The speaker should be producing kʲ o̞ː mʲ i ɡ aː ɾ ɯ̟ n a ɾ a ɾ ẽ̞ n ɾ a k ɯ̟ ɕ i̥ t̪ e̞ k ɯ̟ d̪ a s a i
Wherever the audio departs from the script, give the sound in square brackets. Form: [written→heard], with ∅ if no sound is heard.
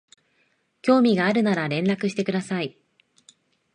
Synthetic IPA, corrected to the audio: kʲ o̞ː mʲ i ɡ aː ɾ ɯ̟ n a ɾ a ɾ ẽ̞ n ɾ a k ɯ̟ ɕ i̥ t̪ e̞ k ɯ̟ d̪ a s a i